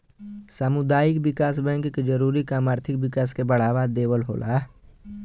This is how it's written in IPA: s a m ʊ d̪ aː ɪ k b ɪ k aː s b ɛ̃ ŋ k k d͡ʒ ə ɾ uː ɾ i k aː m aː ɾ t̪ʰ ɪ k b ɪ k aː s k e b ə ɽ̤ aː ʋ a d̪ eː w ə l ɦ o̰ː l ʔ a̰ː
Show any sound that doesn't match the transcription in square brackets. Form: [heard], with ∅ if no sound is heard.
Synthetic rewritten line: s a m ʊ d̪ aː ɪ k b ɪ k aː s b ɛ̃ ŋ k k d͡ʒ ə ɾ uː ɾ i k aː m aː ɾ t̪ʰ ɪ k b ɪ k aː s k e b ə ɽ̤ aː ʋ a d̪ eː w ə l ɦ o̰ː l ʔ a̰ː